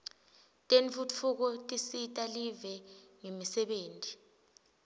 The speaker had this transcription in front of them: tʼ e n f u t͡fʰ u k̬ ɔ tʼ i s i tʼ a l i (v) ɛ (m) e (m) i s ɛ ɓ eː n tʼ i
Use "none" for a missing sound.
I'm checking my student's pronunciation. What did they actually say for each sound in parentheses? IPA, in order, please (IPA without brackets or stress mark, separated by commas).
v, ŋ, m